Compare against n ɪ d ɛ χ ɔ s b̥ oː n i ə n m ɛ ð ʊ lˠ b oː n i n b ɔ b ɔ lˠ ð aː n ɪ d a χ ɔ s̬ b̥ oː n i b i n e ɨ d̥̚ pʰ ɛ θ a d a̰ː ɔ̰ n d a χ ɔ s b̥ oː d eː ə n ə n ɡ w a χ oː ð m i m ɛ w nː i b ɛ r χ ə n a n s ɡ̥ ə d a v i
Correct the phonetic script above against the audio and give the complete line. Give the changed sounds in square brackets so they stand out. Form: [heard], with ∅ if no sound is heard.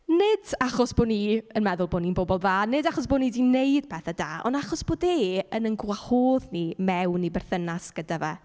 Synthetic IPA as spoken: n ɪ d [a] χ ɔ s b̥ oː n i ə n m ɛ ð ʊ lˠ b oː n i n b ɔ b ɔ lˠ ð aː n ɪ d a χ ɔ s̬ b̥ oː n i [d] i n e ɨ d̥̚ pʰ ɛ θ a d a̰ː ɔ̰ n d a χ ɔ s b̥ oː d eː ə n ə n ɡ w a [h] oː ð [n] i m ɛ w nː i b ɛ r [θ] ə n a [∅] s ɡ̥ ə d a v [ɛ]

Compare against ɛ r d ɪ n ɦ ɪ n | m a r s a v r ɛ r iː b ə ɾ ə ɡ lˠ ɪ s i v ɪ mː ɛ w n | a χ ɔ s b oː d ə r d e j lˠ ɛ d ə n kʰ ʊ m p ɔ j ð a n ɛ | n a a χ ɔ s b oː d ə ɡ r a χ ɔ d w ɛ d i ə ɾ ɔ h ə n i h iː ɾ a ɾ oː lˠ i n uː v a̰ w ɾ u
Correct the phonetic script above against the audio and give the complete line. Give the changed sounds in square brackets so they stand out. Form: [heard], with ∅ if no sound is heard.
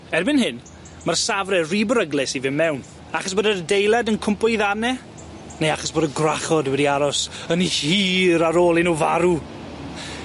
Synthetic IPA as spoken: ɛ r [b] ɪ n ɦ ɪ n | m a r s a v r ɛ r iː b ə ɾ ə ɡ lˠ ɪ s i v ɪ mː ɛ w n | a χ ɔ s b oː d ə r d e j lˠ ɛ d ə n kʰ ʊ m p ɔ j ð a n ɛ | n [e] a χ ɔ s b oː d ə ɡ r a χ ɔ d w ɛ d i [a] ɾ ɔ [s] ə n i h iː ɾ a ɾ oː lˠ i n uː v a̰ [∅] ɾ u

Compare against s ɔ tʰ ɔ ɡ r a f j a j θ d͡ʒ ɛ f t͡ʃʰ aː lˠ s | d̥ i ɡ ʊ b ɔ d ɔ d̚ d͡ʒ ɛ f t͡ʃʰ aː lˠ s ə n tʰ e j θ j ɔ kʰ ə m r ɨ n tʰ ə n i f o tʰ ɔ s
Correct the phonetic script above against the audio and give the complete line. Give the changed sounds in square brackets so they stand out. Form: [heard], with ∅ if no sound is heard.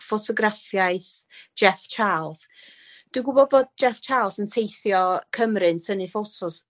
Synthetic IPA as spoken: [f] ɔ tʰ ɔ ɡ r a f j a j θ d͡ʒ ɛ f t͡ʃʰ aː lˠ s | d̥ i ɡ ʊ b ɔ [b] ɔ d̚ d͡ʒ ɛ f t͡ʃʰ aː lˠ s ə n tʰ e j θ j ɔ kʰ ə m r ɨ n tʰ ə n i f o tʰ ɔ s

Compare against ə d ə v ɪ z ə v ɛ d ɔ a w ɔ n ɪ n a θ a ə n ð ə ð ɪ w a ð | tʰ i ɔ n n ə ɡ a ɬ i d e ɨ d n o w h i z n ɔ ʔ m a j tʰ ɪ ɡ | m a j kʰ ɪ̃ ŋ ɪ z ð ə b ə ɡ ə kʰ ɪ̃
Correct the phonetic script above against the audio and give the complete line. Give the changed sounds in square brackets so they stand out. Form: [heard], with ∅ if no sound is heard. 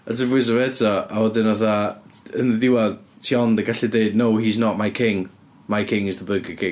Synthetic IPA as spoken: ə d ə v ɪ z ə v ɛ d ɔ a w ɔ [d] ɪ n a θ a ə n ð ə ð ɪ w a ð | tʰ i ɔ n [d] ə ɡ a ɬ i d e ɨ d n o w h i z n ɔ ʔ m a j [kʰ] ɪ [ŋ] | m a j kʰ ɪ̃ ŋ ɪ z ð ə b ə ɡ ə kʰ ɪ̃

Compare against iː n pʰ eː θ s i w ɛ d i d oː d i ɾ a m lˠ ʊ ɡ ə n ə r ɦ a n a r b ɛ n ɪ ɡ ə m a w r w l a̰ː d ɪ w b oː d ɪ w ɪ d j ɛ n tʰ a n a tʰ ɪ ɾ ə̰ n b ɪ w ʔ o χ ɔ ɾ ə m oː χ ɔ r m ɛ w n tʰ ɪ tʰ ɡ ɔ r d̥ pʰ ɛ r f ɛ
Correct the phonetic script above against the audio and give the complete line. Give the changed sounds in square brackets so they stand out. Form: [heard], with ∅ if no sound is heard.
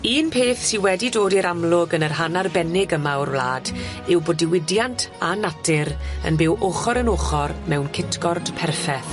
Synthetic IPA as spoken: iː n pʰ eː θ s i w ɛ d i d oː d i ɾ a m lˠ ʊ ɡ ə n ə r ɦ a n a r b ɛ n ɪ ɡ ə m a w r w l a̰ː d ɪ w b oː d ɪ w ɪ d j [a] n tʰ a n a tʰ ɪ ɾ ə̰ n b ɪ w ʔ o χ ɔ ɾ ə [n] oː χ ɔ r m ɛ w n [kʰ] ɪ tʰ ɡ ɔ r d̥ pʰ ɛ r f ɛ

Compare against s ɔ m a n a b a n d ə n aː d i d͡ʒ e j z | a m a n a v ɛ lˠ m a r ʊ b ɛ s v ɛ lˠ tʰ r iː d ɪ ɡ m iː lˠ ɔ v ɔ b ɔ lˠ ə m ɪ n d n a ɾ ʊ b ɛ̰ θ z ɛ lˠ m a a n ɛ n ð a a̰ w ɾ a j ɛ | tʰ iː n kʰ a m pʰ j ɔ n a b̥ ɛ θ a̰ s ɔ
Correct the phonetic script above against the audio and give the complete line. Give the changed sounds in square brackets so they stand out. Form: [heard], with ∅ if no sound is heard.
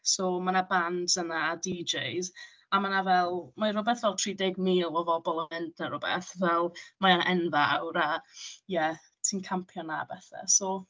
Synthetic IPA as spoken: s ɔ m a n a b a n d ə n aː d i d͡ʒ e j z | a m a n a v ɛ lˠ m a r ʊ b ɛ [θ] v ɛ lˠ tʰ r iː d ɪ ɡ m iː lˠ ɔ v ɔ b ɔ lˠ ə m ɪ n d n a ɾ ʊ b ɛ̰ θ [v] ɛ lˠ m a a n ɛ n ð a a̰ w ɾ a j ɛ | tʰ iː n kʰ a m pʰ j ɔ n a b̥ ɛ θ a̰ s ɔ

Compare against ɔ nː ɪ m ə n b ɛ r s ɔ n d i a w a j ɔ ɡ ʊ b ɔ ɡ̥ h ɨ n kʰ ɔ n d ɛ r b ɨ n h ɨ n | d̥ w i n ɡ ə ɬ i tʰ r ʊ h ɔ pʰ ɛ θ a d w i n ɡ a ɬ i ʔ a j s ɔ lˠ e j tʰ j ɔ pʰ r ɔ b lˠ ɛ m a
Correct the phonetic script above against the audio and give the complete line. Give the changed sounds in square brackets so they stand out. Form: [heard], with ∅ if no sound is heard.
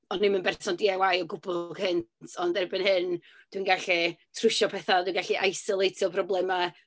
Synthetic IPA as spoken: ɔ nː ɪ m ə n b ɛ r s ɔ n d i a w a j ɔ ɡ ʊ b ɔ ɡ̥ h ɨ n [tʰ] ɔ n d ɛ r b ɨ n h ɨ n | d̥ w i n ɡ [a] ɬ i tʰ r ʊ [ʃ] ɔ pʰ ɛ θ a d w i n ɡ a ɬ i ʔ a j s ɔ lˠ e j tʰ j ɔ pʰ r ɔ b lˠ ɛ m a

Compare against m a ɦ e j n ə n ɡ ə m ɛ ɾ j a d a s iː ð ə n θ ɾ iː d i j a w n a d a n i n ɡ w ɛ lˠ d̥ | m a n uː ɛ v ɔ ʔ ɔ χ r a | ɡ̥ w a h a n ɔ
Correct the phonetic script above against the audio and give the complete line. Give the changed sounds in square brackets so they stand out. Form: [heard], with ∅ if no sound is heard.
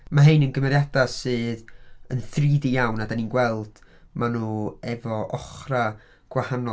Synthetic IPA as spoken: m a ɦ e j n ə n ɡ ə m ɛ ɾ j a d a s [ɨː] ð ə n θ [r] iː d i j a w n a d a n i n ɡ w ɛ lˠ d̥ | m a n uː ɛ v ɔ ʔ ɔ χ r a | ɡ̥ w a h a n ɔ

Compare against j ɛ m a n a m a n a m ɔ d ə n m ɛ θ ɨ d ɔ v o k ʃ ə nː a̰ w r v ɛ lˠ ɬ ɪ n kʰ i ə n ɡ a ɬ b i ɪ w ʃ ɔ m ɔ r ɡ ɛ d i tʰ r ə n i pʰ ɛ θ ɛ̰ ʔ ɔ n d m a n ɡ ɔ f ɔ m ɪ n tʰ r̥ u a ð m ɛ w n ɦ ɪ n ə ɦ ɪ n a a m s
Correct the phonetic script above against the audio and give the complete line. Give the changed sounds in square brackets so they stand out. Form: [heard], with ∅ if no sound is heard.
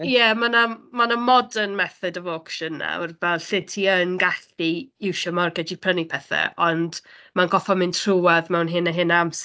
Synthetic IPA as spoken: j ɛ m a n a m a n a m ɔ d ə n m ɛ θ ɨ d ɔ v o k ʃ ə nː a̰ w r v ɛ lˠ ɬ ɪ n [tʰ] i ə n ɡ a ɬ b i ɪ w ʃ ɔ m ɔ r ɡ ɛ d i [pʰ] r ə n i pʰ ɛ θ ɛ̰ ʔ ɔ n d m a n ɡ ɔ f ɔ m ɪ n tʰ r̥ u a ð m ɛ w n ɦ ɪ n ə ɦ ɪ n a a m s

